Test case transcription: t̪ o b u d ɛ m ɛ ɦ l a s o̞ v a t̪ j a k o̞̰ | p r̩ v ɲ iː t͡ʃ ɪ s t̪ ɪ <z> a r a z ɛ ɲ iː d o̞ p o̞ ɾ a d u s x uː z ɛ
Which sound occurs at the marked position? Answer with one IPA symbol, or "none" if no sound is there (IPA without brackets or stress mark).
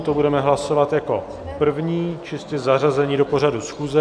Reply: z